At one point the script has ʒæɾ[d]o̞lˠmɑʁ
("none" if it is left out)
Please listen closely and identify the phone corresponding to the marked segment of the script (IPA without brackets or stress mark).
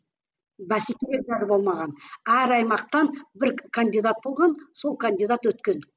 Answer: b